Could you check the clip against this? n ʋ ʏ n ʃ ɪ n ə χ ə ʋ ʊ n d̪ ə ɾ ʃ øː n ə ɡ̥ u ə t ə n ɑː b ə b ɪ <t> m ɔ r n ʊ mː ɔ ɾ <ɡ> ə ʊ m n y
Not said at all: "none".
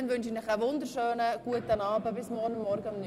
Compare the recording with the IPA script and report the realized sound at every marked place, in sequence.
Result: s, ɡ

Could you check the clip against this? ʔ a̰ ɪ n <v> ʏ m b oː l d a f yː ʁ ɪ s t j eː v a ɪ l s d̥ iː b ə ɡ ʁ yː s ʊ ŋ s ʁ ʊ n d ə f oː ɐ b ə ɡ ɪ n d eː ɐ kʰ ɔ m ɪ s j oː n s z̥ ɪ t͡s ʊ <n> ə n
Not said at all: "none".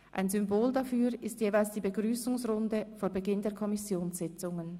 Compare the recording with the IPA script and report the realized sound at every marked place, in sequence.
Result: z, ŋ

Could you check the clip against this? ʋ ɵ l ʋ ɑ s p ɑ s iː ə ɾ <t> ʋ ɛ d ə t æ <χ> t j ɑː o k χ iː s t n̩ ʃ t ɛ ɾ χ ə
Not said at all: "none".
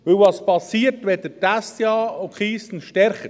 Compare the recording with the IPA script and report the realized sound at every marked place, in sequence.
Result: t, s

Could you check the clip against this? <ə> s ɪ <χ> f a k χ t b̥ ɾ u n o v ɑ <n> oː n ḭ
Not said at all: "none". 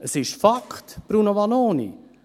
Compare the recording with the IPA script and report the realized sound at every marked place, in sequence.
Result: ə, ʃ, n

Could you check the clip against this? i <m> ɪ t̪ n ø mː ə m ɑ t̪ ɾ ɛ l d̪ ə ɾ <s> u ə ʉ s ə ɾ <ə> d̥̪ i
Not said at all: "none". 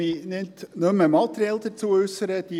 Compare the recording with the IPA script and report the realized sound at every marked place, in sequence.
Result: n, t͡s, ə

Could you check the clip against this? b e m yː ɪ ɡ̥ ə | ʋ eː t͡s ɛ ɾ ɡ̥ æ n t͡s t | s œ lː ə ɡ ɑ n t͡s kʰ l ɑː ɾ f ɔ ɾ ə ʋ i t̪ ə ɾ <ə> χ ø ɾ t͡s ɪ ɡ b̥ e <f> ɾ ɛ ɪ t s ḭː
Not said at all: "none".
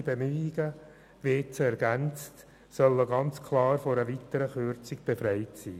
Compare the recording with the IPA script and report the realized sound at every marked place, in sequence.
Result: ə, f

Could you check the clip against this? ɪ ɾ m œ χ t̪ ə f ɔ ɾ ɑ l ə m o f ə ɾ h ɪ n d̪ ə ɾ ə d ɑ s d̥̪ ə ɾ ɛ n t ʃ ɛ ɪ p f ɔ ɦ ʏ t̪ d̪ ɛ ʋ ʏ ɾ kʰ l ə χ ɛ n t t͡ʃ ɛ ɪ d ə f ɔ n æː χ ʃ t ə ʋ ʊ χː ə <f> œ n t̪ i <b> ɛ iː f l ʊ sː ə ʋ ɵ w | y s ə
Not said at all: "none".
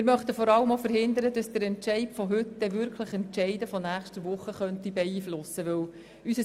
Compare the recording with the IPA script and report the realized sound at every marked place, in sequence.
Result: χ, b

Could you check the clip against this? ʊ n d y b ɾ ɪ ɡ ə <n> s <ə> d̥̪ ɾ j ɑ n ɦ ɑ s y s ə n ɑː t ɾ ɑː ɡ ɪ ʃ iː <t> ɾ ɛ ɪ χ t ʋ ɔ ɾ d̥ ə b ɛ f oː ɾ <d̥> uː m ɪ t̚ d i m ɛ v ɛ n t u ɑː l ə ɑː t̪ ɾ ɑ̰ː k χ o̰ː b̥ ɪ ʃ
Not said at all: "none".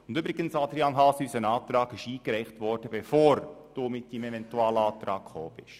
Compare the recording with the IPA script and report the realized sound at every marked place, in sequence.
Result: n, ɑ, k, d̥

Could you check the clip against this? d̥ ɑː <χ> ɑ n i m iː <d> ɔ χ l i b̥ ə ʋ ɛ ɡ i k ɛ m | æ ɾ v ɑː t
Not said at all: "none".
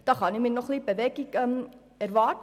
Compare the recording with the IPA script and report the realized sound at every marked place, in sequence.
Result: χ, n

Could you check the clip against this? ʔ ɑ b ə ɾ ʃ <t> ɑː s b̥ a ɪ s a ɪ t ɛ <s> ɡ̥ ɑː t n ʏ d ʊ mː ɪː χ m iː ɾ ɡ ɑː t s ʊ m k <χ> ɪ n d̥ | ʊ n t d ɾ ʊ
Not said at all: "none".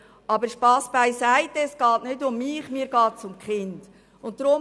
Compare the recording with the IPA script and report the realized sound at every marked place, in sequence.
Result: p, s, χ

